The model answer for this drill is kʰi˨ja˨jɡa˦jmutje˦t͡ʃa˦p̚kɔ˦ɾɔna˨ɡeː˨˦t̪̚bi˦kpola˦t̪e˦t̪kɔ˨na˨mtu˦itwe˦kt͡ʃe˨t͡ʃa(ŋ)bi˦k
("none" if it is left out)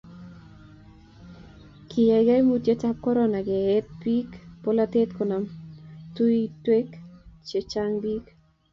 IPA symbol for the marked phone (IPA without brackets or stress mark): ŋ